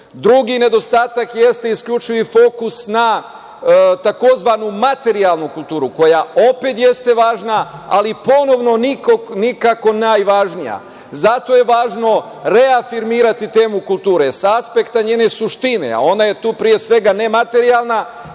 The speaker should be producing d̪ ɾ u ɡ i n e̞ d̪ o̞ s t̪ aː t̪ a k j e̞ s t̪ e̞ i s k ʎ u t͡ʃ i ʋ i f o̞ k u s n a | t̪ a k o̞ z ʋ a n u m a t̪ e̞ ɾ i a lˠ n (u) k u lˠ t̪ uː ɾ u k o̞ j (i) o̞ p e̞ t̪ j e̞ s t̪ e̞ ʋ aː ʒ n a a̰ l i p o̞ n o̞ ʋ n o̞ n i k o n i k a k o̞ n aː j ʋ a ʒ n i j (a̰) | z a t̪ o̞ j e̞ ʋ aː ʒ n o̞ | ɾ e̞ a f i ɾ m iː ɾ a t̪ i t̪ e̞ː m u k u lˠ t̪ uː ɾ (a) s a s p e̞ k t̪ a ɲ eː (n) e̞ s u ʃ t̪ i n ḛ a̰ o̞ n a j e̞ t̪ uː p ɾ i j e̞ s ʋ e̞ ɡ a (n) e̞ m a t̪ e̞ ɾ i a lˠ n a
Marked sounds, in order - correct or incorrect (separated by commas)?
correct, incorrect, correct, incorrect, correct, correct